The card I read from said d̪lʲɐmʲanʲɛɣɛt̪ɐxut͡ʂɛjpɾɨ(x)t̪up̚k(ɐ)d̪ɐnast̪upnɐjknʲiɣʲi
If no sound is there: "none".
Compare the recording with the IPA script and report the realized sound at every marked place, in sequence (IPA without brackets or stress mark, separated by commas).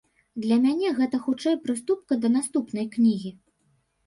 s, ɐ